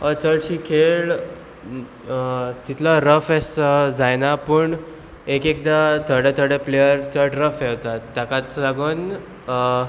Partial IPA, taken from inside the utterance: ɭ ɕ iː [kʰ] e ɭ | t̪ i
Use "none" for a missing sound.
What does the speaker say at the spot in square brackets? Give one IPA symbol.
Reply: kʰ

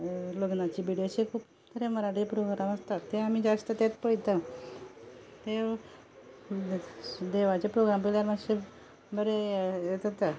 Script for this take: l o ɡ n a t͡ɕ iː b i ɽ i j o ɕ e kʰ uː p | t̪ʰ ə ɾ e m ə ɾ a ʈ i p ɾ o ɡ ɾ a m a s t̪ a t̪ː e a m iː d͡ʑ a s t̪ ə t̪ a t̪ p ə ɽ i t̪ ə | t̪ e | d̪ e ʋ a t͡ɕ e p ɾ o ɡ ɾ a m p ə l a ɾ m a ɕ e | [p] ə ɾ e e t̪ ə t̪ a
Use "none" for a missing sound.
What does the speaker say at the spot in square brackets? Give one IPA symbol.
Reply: b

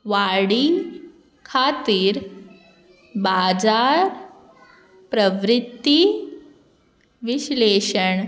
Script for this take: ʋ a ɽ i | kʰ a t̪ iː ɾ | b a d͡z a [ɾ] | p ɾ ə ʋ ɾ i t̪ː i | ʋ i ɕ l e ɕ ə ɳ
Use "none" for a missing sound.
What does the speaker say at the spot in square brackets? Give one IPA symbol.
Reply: ɾ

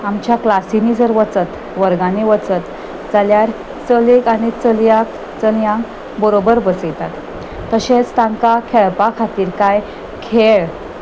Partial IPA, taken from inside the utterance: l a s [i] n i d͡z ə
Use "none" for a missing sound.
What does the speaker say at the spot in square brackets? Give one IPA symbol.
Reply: i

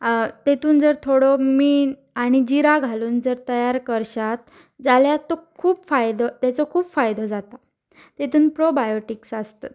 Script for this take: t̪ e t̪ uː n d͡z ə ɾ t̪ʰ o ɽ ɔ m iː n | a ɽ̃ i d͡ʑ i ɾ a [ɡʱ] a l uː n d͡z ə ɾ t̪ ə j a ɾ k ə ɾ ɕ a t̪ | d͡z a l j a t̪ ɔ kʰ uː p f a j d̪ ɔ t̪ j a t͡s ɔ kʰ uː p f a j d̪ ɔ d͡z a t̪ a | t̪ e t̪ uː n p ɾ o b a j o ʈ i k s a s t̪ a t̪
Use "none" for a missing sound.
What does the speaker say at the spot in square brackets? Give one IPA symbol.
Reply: ɡʱ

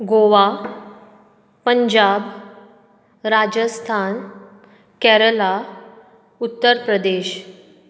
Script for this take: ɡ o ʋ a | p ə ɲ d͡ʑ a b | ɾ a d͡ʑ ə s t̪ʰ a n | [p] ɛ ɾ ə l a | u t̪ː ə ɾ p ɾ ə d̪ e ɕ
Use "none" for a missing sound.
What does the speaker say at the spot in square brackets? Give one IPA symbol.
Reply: k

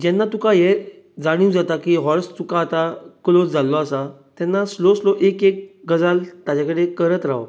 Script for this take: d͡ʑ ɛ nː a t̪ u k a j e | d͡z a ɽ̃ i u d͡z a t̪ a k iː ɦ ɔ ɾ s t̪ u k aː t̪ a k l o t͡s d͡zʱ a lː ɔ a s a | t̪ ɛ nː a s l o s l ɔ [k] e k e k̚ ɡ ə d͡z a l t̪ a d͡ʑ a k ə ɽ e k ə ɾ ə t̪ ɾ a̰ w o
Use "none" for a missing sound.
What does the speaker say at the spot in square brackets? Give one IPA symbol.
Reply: ʔ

